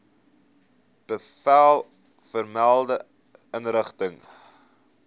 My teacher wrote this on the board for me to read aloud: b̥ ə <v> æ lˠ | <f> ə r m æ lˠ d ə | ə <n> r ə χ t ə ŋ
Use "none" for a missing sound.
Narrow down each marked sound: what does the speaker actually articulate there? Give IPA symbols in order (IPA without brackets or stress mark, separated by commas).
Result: f, f, n